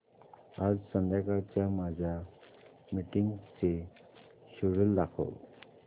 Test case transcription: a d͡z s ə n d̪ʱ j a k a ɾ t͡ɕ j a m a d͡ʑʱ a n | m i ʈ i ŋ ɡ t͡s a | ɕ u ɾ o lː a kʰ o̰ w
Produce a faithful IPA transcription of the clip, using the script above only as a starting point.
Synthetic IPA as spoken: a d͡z s ə n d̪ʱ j a k a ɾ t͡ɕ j a m a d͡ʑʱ a | m i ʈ i ŋ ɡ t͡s e | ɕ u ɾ u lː a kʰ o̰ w